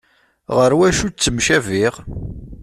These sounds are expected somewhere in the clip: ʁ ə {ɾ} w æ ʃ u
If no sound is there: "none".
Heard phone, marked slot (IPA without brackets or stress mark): ɾ